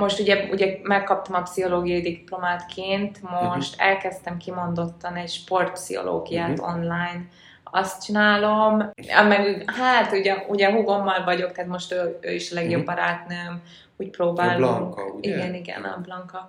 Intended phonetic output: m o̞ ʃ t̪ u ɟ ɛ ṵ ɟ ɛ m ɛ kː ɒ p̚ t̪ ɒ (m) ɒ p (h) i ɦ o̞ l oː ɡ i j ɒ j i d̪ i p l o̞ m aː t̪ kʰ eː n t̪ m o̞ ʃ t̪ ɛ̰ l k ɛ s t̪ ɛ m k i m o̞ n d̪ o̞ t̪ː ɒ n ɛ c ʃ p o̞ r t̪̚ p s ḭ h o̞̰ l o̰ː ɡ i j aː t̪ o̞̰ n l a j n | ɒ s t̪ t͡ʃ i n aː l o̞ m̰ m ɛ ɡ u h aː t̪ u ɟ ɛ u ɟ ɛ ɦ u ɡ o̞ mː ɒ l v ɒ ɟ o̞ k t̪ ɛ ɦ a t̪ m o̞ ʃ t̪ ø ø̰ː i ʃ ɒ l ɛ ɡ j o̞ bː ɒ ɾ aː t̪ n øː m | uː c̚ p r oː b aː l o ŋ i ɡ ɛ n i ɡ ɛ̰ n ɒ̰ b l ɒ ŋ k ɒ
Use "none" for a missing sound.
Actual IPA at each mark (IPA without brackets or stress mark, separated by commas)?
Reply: m, s